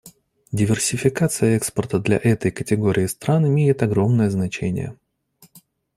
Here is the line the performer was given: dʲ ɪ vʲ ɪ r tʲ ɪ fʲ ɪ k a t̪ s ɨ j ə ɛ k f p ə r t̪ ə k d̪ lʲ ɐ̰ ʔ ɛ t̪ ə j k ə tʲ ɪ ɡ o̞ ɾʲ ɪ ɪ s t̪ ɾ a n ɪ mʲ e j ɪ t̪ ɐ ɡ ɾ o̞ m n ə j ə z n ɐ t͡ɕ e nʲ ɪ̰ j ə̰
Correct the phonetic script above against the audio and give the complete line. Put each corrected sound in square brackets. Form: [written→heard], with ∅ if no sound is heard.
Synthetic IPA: dʲ ɪ vʲ ɪ r [tʲ→sʲ] ɪ fʲ ɪ k a t̪ s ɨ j ə ɛ k [f→s] p ə r t̪ ə [k→∅] d̪ lʲ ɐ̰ ʔ ɛ t̪ ə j k ə tʲ ɪ ɡ o̞ ɾʲ ɪ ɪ s t̪ ɾ a n ɪ mʲ e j ɪ t̪ ɐ ɡ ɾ o̞ m n ə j ə z n ɐ t͡ɕ e nʲ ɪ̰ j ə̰